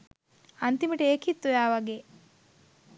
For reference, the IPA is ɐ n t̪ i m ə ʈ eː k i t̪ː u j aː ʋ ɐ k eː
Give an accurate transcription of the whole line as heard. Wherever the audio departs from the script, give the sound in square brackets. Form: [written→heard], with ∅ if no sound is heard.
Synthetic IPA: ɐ n t̪ i m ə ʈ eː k i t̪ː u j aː ʋ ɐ [k→ɡ] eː